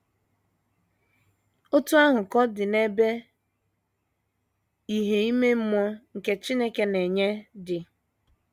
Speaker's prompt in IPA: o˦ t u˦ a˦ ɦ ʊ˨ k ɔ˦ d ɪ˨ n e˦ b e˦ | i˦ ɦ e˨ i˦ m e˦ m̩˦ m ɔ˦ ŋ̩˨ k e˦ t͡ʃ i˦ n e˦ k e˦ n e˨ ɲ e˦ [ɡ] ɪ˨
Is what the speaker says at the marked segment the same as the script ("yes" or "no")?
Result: no